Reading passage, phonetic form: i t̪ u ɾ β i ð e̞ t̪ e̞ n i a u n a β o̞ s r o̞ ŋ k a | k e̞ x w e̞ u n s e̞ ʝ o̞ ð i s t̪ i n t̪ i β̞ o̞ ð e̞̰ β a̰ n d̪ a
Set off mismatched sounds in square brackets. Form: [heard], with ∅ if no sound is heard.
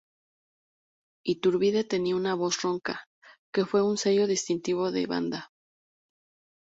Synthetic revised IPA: i t̪ u ɾ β i ð e̞ t̪ e̞ n i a u n a β o̞ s r o̞ ŋ k a | k e̞ [f] w e̞ u n s e̞ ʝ o̞ ð i s t̪ i n t̪ i β̞ o̞ ð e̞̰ β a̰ n d̪ a